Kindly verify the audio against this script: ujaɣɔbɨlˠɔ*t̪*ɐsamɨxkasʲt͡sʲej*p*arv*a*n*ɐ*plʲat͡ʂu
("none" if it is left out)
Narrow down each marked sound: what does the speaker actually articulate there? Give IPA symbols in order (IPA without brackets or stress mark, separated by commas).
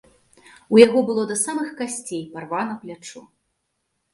d̪, p, a, ɐ